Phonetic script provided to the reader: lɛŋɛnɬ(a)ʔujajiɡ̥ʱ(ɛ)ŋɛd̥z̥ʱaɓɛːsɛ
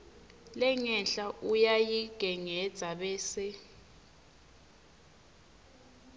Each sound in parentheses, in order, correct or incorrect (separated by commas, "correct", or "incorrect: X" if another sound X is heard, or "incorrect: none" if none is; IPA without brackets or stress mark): correct, correct